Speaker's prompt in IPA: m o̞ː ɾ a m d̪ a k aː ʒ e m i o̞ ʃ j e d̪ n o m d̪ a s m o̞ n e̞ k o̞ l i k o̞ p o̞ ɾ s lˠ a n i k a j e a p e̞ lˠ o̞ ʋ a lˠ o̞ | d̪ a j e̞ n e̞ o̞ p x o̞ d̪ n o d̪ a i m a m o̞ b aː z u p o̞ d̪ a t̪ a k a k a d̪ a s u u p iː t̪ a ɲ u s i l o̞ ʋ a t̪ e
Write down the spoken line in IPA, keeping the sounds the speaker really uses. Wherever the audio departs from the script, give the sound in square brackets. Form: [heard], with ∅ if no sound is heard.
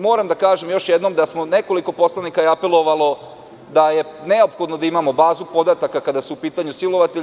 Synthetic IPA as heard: m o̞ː ɾ a m d̪ a k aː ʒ e m [j] o̞ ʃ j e d̪ n o m d̪ a s m o̞ n e̞ k o̞ l i k o̞ p o̞ [∅] s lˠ a n i k a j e a p e̞ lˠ o̞ ʋ a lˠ o̞ | d̪ a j e̞ n e̞ o̞ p x o̞ d̪ n o d̪ a i m a m o̞ b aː z u p o̞ d̪ a t̪ a k a k a d̪ a s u u p iː t̪ a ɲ u s i l o̞ ʋ a t̪ e